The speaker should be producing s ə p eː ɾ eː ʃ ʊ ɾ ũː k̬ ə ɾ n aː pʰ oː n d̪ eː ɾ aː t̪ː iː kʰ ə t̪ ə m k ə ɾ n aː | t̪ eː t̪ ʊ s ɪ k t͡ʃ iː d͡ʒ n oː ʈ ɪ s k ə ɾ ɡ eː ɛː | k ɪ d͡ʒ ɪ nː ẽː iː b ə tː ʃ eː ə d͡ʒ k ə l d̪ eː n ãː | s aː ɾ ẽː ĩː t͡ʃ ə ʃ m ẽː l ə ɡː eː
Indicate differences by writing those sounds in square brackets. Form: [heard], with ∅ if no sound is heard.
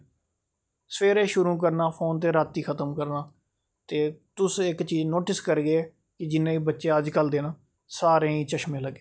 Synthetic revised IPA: s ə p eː ɾ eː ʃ ʊ ɾ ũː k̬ ə ɾ n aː pʰ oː n [t̪] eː ɾ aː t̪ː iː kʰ ə t̪ ə m k ə ɾ n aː | t̪ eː t̪ ʊ s ɪ k t͡ʃ iː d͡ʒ n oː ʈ ɪ s k ə ɾ ɡ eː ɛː | k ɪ d͡ʒ ɪ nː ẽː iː b ə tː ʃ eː ə d͡ʒ k ə l d̪ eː n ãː | s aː ɾ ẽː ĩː t͡ʃ ə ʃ m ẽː l ə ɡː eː